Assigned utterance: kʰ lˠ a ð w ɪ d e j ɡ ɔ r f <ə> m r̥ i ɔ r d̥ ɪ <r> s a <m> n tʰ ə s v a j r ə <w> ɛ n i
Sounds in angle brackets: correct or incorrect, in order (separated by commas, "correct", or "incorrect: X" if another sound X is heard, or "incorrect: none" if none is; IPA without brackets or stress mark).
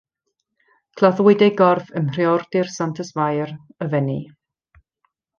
correct, correct, incorrect: none, incorrect: v